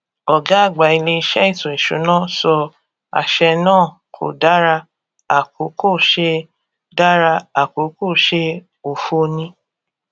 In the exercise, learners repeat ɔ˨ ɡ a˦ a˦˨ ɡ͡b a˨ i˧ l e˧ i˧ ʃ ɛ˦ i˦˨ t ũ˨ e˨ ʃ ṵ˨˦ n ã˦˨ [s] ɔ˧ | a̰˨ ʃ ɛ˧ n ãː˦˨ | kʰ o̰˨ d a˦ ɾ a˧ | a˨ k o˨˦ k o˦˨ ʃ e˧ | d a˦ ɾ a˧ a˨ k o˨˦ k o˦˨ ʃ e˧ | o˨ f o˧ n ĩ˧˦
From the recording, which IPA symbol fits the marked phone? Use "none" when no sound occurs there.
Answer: s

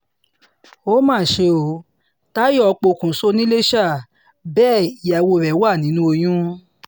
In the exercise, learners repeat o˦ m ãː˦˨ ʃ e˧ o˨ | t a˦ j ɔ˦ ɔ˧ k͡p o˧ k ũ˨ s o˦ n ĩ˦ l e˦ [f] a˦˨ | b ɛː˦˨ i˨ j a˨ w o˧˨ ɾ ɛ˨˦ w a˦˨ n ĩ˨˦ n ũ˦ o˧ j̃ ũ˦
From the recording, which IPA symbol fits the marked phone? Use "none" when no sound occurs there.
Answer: ʃ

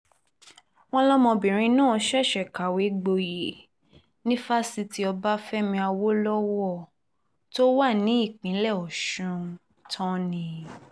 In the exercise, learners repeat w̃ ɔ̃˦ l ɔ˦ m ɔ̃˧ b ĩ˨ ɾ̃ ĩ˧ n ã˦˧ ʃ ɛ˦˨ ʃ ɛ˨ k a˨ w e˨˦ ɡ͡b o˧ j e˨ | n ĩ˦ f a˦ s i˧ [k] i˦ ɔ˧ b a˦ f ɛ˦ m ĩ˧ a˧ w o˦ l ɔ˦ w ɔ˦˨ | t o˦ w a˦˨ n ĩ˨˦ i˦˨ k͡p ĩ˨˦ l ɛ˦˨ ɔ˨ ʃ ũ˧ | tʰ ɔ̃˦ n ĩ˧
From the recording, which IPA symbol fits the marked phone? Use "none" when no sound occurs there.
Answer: t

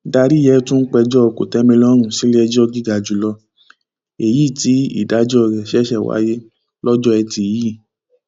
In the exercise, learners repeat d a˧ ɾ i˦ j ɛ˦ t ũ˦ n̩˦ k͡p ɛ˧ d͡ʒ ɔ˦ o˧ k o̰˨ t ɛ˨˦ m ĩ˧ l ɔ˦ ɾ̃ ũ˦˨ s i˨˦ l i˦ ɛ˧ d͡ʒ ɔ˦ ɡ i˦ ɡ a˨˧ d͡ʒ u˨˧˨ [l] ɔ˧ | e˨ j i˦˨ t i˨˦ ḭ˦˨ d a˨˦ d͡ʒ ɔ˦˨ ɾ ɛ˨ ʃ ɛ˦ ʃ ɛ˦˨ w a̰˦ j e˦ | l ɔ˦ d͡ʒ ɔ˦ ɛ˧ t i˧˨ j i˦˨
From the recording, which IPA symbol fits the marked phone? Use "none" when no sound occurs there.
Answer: l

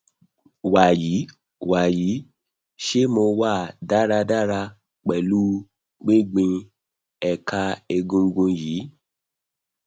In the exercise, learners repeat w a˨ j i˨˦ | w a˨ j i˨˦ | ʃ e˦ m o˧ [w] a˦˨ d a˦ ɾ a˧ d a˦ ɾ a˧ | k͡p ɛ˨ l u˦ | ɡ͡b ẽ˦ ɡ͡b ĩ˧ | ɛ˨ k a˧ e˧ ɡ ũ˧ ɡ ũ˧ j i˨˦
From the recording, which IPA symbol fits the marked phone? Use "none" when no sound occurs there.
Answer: w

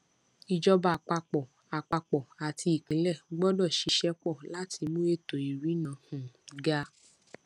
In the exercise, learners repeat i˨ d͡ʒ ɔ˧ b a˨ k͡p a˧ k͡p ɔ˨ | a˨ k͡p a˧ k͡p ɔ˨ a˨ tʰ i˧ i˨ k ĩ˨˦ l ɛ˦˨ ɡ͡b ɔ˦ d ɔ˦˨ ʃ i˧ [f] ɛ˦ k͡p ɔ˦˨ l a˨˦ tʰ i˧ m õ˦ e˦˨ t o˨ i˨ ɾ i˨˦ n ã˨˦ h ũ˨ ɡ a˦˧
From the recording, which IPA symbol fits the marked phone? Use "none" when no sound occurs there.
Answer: ʃ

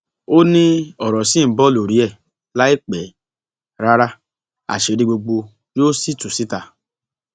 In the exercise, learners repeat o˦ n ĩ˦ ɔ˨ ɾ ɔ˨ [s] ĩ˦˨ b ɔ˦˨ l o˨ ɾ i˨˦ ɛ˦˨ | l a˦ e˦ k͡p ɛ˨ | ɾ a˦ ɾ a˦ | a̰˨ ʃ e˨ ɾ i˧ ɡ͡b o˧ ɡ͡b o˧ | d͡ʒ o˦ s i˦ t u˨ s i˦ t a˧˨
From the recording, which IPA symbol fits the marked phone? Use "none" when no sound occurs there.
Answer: s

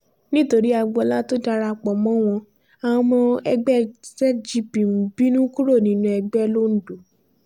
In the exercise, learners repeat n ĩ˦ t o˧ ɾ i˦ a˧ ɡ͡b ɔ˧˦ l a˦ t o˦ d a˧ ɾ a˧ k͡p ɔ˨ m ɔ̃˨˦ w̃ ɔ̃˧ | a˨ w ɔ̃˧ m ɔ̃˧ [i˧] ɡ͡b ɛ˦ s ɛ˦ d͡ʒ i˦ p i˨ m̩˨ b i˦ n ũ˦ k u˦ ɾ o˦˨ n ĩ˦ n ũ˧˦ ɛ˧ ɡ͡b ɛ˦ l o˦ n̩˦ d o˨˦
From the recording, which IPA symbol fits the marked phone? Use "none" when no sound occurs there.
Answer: ɛ˧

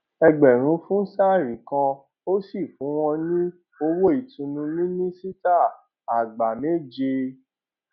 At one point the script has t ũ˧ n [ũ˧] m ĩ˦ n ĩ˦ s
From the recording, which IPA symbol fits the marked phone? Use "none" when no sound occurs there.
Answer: ũ˧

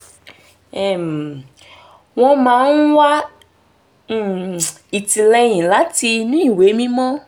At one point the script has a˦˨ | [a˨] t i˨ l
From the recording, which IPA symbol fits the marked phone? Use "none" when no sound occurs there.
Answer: i˨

